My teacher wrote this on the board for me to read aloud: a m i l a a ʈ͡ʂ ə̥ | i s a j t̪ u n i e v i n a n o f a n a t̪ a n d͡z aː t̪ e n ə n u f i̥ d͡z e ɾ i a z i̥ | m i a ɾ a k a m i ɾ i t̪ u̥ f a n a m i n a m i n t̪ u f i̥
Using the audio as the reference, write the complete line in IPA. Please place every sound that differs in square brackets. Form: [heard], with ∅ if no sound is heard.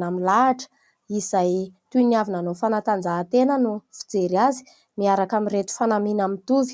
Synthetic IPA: a m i l a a ʈ͡ʂ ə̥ | i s a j t̪ u n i [a] v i n a n o f a n a t̪ a n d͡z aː t̪ e n ə n u f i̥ d͡z e ɾ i a z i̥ | m i a ɾ a k a m i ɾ [e] t̪ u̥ f a n a m i n a m i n t̪ u [v] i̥